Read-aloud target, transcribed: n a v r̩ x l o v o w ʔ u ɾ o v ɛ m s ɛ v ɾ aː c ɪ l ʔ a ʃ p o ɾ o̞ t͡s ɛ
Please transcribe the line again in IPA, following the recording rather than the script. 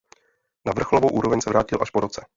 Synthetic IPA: n a v r̩ x l o v o w ʔ uː ɾ o v ɛ ɲ s ɛ v ɾ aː c ɪ l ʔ a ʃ p o ɾ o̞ t͡s ɛ